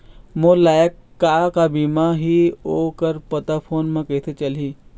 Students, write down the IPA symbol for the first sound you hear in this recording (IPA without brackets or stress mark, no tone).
m